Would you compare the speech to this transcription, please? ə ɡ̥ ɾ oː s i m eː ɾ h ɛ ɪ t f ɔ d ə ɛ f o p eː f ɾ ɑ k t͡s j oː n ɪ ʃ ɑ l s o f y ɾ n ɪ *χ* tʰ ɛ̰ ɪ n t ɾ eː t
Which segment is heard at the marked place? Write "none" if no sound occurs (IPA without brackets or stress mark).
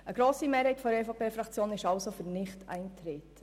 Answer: χ